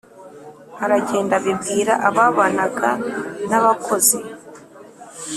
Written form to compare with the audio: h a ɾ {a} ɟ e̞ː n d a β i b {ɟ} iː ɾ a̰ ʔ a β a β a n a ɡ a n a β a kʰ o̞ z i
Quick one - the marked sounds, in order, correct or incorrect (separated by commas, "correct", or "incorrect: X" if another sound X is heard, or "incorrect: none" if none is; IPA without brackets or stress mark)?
correct, incorrect: ɡ